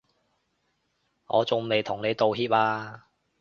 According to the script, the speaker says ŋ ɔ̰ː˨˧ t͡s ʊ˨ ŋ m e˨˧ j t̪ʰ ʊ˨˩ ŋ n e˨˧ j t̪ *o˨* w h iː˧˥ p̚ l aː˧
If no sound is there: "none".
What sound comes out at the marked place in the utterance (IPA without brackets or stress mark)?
o˨